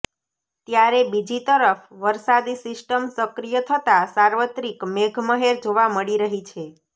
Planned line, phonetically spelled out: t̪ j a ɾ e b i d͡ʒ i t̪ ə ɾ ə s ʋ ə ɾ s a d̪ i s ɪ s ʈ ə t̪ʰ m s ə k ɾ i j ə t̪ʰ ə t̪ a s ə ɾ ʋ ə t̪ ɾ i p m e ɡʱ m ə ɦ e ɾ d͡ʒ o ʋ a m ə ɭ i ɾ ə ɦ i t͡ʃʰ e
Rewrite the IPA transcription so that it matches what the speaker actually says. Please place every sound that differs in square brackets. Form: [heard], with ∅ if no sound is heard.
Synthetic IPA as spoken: t̪ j a ɾ e b i d͡ʒ i t̪ ə ɾ ə [f] ʋ ə ɾ s a d̪ i s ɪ s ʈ ə [∅] m s ə k ɾ i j ə t̪ʰ ə t̪ a s [a] ɾ ʋ ə t̪ ɾ i [k] m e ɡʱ m ə ɦ e ɾ d͡ʒ o ʋ a m ə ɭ i ɾ ə ɦ i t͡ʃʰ e